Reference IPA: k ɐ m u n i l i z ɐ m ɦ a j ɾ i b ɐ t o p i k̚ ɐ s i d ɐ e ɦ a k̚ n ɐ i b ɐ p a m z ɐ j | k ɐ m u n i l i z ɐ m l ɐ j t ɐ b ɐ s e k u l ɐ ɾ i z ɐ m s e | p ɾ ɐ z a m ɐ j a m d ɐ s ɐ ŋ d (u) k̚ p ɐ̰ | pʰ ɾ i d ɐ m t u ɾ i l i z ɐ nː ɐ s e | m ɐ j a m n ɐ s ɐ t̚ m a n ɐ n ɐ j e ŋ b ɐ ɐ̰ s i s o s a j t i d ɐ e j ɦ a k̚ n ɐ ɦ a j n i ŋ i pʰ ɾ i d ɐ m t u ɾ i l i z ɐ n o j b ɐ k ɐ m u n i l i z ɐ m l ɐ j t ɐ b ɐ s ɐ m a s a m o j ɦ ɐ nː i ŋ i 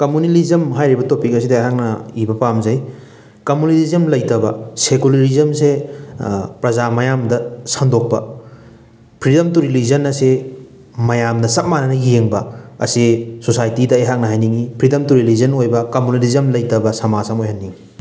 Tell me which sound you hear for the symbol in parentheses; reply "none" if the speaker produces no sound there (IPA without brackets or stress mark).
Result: o